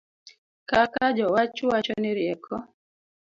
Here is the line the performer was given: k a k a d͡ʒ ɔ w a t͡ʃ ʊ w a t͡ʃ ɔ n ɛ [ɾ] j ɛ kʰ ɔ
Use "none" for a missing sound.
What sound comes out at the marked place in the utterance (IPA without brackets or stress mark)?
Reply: ɾ